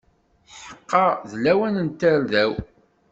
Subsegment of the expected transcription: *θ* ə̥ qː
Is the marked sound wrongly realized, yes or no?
yes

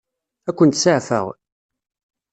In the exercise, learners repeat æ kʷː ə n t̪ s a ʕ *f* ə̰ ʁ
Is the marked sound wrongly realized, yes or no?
no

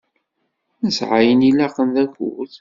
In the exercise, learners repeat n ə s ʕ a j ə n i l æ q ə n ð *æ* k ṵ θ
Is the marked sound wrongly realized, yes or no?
no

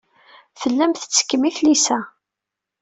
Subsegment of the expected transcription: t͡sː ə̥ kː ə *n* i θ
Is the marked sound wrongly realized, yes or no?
yes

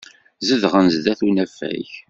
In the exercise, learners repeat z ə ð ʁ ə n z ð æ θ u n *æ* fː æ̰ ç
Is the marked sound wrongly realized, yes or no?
no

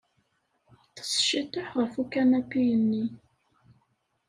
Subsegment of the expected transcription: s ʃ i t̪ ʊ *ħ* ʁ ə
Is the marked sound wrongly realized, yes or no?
no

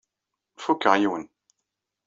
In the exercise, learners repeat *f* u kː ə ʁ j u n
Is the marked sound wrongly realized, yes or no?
no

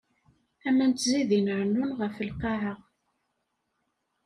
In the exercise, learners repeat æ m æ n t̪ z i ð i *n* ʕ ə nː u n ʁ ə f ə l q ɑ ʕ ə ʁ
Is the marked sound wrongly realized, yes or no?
no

